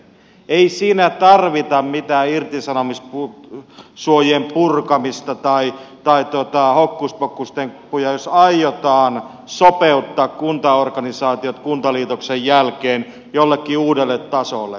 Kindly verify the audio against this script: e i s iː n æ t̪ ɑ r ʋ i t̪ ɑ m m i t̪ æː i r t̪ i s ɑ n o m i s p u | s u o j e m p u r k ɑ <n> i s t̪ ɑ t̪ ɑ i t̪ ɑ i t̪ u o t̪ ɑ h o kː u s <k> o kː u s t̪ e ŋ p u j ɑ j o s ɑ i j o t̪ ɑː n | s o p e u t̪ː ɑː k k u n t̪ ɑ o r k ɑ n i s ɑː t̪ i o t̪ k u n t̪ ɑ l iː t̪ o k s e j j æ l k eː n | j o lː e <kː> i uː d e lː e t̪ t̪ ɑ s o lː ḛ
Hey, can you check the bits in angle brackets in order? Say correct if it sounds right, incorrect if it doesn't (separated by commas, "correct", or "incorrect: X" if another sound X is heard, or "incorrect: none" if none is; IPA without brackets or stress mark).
incorrect: m, incorrect: p, correct